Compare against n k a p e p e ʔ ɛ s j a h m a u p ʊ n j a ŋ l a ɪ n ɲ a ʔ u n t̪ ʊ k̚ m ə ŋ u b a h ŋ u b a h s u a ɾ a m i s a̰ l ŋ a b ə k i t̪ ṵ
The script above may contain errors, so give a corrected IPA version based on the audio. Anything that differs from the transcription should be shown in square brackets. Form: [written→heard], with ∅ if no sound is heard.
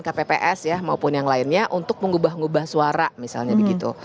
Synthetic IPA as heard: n k a p e p e ʔ ɛ s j a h m a u p ʊ n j a ŋ l a ɪ n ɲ a ʔ u n t̪ ʊ k̚ m ə ŋ u b a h ŋ u b a h s u a ɾ a m i s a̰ l [ŋ→ɲ] a b ə [k→ɡ] i t̪ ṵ